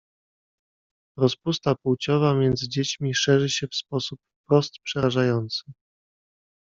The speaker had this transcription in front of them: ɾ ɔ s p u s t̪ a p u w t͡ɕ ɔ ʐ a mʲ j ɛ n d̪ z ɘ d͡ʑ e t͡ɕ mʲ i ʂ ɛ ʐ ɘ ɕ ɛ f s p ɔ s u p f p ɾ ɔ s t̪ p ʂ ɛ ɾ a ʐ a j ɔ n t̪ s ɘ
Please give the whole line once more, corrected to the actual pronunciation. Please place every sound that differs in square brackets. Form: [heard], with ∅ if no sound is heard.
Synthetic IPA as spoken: ɾ ɔ s p u s t̪ a p u w t͡ɕ ɔ [v] a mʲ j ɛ n d̪ z ɘ d͡ʑ e t͡ɕ mʲ i ʂ ɛ ʐ ɘ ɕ ɛ f s p ɔ s u p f p ɾ ɔ s t̪ p ʂ ɛ ɾ a ʐ a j ɔ n t̪ s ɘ